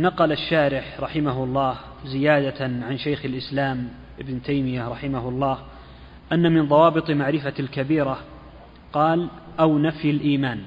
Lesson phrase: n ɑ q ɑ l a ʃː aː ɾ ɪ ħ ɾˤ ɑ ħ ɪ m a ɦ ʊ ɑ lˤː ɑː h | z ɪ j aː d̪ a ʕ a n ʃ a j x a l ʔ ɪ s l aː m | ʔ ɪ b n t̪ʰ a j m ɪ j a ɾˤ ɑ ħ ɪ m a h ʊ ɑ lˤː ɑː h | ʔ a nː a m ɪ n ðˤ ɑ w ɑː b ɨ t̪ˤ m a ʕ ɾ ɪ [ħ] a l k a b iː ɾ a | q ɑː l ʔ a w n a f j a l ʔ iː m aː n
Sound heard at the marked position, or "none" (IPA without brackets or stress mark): f